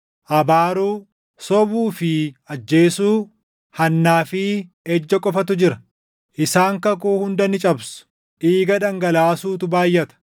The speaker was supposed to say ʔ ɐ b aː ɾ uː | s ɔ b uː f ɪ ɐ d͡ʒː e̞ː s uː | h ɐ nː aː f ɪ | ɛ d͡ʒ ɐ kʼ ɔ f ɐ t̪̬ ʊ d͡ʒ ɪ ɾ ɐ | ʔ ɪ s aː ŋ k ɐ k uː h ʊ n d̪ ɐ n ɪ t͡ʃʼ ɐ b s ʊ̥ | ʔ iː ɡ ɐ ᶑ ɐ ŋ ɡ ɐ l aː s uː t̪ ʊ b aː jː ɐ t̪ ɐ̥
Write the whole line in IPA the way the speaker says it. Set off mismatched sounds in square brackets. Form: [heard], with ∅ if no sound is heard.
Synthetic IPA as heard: ʔ ɐ b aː ɾ uː | s ɔ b uː f ɪ ɐ d͡ʒː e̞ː s uː | h ɐ nː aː f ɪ | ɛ [d͡ʒː] ɐ kʼ ɔ f ɐ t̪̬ ʊ d͡ʒ ɪ ɾ ɐ | ʔ ɪ s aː ŋ k ɐ k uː h ʊ n d̪ ɐ n ɪ t͡ʃʼ ɐ b s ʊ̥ | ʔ iː ɡ ɐ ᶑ ɐ ŋ ɡ ɐ l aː s uː t̪ ʊ b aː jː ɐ t̪ ɐ̥